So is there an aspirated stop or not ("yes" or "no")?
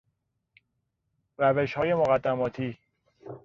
yes